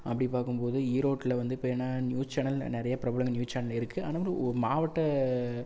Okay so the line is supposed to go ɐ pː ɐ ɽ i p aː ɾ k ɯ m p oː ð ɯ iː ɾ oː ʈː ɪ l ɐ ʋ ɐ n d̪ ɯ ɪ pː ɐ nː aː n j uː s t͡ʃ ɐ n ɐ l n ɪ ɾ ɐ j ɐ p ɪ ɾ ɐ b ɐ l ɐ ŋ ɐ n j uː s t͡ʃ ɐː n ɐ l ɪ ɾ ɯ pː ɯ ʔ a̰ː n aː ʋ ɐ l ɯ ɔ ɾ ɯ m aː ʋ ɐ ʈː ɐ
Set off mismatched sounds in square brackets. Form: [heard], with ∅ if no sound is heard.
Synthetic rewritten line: ɐ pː ɐ ɽ i p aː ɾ k ɯ m p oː ð ɯ iː ɾ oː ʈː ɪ l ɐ ʋ ɐ n d̪ ɯ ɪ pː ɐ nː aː n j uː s t͡ʃ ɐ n ɐ l n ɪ ɾ ɐ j ɐ p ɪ ɾ ɐ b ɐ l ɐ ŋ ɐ n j uː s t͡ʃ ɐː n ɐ l ɪ ɾ ɯ [kː] ɯ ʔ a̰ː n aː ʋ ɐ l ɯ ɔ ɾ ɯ m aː ʋ ɐ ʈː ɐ